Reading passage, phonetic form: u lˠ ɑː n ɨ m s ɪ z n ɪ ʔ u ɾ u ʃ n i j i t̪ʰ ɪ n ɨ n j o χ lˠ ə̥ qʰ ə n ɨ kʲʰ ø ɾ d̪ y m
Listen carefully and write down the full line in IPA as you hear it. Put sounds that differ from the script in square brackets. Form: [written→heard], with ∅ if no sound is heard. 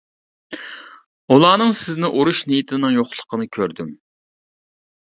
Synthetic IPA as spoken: u lˠ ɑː n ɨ [m→ŋ] s ɪ z n ɪ ʔ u ɾ u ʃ n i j i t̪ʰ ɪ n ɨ [n→ŋ] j o χ lˠ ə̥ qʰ ə n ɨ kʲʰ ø ɾ d̪ y m

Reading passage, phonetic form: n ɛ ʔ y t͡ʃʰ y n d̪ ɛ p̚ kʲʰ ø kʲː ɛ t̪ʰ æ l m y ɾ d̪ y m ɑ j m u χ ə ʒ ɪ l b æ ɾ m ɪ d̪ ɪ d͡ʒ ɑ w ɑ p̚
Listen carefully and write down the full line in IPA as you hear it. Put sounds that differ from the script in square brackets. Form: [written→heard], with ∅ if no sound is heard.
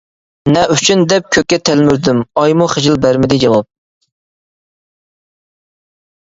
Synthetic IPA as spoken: n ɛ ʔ y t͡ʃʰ y n d̪ ɛ p̚ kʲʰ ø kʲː ɛ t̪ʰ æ l m y ɾ d̪ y m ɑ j m u χ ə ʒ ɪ l b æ ɾ m ɪ d̪ ɪ d͡ʒ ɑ w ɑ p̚

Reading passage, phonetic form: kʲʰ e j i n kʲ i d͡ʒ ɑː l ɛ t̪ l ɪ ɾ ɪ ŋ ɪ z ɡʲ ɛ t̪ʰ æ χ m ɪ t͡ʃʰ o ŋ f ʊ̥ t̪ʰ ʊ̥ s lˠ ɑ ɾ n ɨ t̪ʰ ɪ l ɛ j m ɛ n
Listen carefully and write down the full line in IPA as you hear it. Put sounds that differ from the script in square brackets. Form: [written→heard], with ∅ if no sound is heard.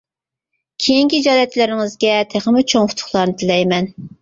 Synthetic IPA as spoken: kʲʰ e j i [n→ŋ] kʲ i d͡ʒ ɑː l ɛ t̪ l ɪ ɾ ɪ ŋ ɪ z ɡʲ ɛ t̪ʰ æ χ m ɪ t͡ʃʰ o ŋ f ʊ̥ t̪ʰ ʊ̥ [s→χ] lˠ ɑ ɾ n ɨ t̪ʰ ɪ l ɛ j m ɛ n

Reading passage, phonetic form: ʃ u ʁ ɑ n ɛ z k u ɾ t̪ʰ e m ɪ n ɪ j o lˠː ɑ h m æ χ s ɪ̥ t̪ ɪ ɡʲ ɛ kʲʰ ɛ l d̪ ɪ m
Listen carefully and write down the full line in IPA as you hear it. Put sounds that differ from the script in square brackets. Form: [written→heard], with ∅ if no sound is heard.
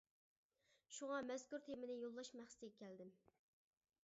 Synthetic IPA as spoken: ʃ u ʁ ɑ [n→m] ɛ z k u ɾ t̪ʰ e m ɪ n ɪ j o lˠː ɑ [h→ʃ] m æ χ s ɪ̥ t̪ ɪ ɡʲ ɛ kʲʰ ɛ l d̪ ɪ m

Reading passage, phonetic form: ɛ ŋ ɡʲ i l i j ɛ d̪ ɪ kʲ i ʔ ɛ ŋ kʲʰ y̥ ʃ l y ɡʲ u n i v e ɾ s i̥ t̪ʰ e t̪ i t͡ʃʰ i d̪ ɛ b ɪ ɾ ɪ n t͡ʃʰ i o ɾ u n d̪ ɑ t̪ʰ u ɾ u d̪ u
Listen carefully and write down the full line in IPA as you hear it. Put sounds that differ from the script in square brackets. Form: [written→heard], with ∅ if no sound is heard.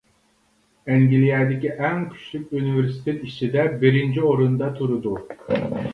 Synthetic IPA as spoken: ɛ ŋ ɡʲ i l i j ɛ d̪ ɪ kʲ i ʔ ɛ ŋ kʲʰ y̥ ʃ l y [ɡʲ→kʲ] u n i v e ɾ s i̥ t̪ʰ e t̪ i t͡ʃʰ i d̪ ɛ b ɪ ɾ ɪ n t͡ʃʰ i o ɾ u n d̪ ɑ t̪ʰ u ɾ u d̪ u

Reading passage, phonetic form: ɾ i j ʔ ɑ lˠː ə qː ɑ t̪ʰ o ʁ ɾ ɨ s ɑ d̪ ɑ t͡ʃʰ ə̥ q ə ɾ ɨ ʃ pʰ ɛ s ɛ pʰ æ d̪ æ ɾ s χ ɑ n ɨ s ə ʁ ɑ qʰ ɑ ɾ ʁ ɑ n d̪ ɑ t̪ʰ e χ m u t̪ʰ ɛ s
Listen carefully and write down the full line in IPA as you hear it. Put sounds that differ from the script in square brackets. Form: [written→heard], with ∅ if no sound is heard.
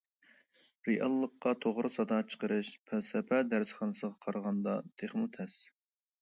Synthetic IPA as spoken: ɾ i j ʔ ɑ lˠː ə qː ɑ t̪ʰ o ʁ ɾ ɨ s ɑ d̪ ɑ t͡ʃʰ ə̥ q ə ɾ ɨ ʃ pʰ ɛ s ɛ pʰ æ d̪ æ ɾ s χ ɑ n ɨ s ə ʁ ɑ qʰ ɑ ɾ ʁ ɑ n d̪ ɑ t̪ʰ e χ m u t̪ʰ ɛ s

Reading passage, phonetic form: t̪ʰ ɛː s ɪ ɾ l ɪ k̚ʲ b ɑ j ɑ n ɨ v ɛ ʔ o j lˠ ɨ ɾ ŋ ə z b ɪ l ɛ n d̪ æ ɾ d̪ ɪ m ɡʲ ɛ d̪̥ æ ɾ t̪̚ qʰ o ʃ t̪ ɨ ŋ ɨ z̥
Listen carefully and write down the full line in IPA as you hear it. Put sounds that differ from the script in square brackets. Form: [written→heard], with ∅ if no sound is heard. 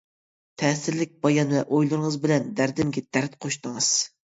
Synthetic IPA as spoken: t̪ʰ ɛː s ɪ ɾ l ɪ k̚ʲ b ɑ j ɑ n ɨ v ɛ ʔ o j lˠ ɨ ɾ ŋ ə z b ɪ l ɛ n d̪ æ ɾ d̪ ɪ m ɡʲ ɛ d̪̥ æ ɾ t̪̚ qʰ o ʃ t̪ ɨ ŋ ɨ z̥

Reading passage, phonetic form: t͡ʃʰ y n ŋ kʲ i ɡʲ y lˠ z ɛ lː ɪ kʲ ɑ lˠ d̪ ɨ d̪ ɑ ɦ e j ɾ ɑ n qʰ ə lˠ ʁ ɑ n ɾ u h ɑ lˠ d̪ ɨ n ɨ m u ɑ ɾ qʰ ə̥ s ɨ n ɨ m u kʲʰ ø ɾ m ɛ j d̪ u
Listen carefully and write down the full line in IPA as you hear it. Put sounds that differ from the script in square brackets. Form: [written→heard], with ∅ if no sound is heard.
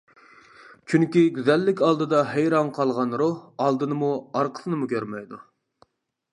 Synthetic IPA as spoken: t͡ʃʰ y [n→∅] ŋ kʲ i ɡʲ y [lˠ→∅] z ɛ lː ɪ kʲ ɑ lˠ d̪ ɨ d̪ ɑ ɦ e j ɾ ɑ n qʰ [ə→ɑ] lˠ ʁ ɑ n ɾ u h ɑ lˠ d̪ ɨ n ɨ m u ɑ ɾ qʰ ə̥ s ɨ n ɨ m u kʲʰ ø ɾ m ɛ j d̪ u

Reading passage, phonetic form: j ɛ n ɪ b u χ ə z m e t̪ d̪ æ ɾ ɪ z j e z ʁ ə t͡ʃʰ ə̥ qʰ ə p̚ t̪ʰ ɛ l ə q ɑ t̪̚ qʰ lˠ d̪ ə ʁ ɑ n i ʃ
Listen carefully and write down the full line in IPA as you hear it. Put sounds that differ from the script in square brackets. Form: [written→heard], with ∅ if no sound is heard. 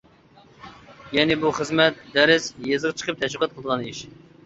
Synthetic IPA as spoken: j ɛ n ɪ b u χ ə z m [e→ɛ] t̪ d̪ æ ɾ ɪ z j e z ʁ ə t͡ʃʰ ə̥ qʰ ə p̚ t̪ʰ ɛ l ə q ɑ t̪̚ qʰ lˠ d̪ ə ʁ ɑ n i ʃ

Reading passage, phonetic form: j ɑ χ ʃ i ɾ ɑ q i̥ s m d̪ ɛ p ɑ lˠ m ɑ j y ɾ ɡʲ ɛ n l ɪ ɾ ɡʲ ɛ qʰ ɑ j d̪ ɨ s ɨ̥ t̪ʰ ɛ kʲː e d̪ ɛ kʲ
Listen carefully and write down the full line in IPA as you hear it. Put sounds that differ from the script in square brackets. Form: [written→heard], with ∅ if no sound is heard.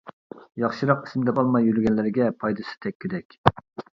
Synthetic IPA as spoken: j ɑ χ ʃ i ɾ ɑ q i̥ s m d̪ ɛ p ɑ lˠ m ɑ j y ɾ ɡʲ ɛ n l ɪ ɾ ɡʲ ɛ [qʰ→pʰ] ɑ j d̪ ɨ s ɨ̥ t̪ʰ ɛ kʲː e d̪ ɛ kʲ

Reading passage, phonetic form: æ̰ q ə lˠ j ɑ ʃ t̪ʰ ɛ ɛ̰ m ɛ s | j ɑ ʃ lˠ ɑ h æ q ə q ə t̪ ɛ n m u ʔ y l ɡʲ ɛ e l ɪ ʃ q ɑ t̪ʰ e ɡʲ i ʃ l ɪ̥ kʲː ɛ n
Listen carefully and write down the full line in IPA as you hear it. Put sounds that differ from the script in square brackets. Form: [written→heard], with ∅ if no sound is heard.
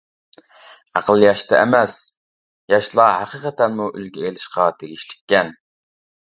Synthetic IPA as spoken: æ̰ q ə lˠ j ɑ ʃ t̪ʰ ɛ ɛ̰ m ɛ s | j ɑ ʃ lˠ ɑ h æ q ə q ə t̪ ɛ n m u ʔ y l ɡʲ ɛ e l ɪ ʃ q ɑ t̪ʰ e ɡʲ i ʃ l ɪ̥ kʲː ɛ n

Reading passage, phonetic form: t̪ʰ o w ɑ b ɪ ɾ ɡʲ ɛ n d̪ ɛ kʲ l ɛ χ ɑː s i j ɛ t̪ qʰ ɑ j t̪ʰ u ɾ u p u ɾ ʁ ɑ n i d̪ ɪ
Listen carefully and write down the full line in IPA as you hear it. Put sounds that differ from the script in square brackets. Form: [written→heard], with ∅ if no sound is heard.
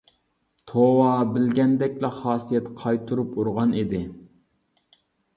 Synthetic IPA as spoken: t̪ʰ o w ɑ b ɪ [ɾ→l] ɡʲ ɛ n d̪ ɛ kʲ l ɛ χ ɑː s i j ɛ t̪ qʰ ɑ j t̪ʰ u ɾ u p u ɾ ʁ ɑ n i d̪ ɪ

